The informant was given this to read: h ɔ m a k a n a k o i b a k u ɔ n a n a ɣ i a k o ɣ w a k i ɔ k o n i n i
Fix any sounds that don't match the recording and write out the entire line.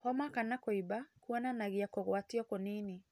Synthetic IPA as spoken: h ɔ m a k a n a k o i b a k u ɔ n a n a ɣ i a k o ɣ w a t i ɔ k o n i n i